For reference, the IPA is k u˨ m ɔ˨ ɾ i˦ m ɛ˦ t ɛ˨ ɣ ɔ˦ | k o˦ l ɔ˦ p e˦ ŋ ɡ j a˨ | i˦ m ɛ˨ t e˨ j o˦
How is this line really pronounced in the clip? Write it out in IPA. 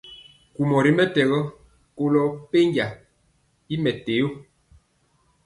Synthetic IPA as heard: k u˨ m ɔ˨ ɾ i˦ m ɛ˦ t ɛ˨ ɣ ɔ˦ | k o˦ l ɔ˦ p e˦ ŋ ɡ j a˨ | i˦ m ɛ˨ t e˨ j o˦